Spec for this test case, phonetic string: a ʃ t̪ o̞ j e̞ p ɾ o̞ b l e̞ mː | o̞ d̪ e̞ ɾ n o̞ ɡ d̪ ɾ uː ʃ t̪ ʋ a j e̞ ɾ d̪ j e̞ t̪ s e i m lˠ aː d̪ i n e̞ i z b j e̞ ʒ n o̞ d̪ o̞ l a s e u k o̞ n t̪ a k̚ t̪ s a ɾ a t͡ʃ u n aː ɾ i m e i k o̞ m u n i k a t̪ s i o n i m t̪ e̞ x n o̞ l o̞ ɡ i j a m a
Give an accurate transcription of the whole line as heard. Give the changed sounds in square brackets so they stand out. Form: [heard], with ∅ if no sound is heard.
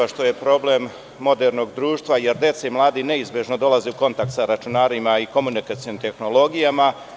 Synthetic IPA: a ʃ t̪ o̞ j e̞ p ɾ o̞ b l e̞ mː | o̞ d̪ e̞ ɾ n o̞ ɡ d̪ ɾ uː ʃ t̪ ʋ a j e̞ ɾ d̪ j e̞ t̪ s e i m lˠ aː d̪ i n e̞ i z b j e̞ ʒ n o̞ d̪ o̞ l a [z] e u k o̞ n t̪ a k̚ t̪ s a ɾ a t͡ʃ u n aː ɾ i m [a] i k o̞ m u n i k a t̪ s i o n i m t̪ e̞ x n o̞ l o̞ ɡ i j a m a